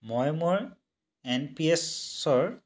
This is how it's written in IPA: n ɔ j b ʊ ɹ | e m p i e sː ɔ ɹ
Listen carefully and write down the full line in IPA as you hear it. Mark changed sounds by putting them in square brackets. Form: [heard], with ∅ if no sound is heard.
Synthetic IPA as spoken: [m] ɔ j [m] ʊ ɹ | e [n] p i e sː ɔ ɹ

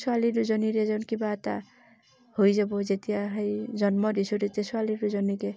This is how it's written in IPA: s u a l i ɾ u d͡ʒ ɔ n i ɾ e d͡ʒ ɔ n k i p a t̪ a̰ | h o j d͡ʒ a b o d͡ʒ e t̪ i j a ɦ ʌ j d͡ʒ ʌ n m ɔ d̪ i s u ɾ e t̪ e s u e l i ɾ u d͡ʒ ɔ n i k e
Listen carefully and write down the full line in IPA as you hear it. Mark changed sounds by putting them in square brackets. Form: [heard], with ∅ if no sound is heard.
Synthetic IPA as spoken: s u a l i ɾ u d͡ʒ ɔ n i ɾ e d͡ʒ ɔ n k i [b] a t̪ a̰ | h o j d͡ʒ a b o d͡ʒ e t̪ i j a ɦ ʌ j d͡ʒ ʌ n m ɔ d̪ i s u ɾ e t̪ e s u [a] l i ɾ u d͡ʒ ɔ n i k e

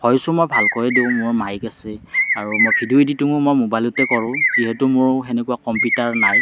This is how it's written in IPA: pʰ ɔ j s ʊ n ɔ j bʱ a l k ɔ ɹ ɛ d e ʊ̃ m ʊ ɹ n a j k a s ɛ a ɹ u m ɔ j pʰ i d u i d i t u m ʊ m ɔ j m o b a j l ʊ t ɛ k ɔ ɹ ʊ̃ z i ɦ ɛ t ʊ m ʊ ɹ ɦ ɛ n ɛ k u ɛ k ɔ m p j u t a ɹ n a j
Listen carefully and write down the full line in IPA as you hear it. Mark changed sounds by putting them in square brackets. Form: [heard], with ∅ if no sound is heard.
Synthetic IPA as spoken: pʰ ɔ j s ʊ [m] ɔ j bʱ a l k ɔ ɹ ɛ d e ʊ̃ m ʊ ɹ [m] a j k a s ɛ a ɹ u m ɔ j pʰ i d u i d i t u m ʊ m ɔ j m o b a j l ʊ t ɛ k ɔ ɹ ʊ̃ z i ɦ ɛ t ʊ m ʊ ɹ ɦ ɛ n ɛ k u [a] k ɔ m p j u t a ɹ n a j

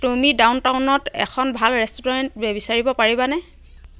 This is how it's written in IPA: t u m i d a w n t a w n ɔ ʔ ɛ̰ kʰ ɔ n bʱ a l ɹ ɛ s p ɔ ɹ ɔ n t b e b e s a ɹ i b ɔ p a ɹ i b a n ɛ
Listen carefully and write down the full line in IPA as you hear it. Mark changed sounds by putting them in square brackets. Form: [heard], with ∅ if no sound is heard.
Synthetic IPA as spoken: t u m i d a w n t a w n ɔ [t] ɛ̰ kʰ ɔ n bʱ a l ɹ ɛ s [t] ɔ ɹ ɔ n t b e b [i] s a ɹ i b ɔ p a ɹ i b a n ɛ

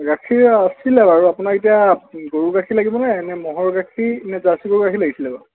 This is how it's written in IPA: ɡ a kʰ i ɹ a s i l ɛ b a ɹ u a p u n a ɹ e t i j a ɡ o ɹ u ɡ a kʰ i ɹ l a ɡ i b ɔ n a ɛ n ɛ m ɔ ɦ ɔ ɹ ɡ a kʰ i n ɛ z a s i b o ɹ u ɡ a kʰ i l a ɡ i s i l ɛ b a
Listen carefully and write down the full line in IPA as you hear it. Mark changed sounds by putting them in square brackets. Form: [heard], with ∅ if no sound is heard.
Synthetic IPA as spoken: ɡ a kʰ i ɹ a s i l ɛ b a ɹ u a p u n a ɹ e t i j a ɡ o ɹ u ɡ a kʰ i [∅] l a ɡ i b ɔ n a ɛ n ɛ m ɔ ɦ ɔ ɹ ɡ a kʰ i n ɛ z a s i [ɡ] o ɹ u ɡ a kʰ i l a ɡ i s i l ɛ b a

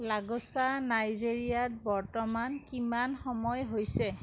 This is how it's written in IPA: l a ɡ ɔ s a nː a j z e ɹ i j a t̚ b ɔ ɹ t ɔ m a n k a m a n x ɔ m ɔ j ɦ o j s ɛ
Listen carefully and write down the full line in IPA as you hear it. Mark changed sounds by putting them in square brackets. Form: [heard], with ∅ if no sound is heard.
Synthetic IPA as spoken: l a ɡ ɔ s a [n] a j z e ɹ i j a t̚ b ɔ ɹ t ɔ m a n k [i] m a n x ɔ m ɔ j ɦ o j s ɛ

